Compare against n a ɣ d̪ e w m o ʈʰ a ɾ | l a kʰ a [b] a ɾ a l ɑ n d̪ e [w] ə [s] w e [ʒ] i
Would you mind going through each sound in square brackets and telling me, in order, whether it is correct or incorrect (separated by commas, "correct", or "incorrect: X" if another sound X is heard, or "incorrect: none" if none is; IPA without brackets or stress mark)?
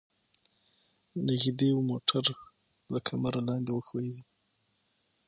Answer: incorrect: m, correct, incorrect: x, incorrect: z